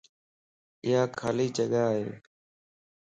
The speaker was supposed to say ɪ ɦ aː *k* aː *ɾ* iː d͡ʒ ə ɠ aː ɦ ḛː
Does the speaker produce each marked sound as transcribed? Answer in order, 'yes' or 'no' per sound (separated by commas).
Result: no, no